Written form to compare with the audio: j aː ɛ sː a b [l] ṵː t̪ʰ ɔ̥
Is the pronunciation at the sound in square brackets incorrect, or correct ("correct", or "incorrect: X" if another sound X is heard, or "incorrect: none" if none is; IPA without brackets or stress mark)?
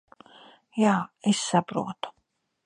incorrect: ɾ